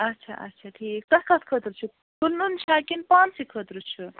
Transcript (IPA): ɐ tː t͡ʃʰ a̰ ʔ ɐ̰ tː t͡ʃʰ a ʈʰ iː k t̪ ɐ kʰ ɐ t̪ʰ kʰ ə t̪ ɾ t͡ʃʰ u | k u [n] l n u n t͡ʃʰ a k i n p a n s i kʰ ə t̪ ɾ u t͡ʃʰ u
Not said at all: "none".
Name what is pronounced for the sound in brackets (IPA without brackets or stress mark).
none